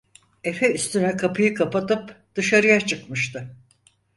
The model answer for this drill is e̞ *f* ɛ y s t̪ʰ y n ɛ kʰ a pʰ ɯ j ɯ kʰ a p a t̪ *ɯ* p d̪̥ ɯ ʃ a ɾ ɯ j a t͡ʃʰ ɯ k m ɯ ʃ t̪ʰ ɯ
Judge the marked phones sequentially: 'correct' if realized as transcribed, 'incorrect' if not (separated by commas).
correct, correct